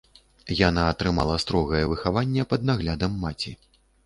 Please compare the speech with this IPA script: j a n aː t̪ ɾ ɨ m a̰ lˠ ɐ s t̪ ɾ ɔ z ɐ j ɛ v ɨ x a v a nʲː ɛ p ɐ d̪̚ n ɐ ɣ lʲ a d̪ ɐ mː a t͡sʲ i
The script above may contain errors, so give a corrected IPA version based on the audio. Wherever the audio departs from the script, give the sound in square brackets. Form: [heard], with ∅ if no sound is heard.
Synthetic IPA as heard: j a n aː t̪ ɾ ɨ m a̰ lˠ ɐ s t̪ ɾ ɔ [ɣ] ɐ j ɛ v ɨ x a v a nʲː ɛ p ɐ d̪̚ n [a] ɣ lʲ a d̪ ɐ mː a t͡sʲ i